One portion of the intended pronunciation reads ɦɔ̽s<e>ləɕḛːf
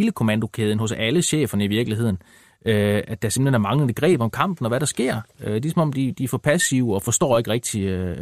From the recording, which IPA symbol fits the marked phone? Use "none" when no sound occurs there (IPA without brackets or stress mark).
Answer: æ